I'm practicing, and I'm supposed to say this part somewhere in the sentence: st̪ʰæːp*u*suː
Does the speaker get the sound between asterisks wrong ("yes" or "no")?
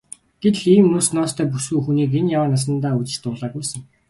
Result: no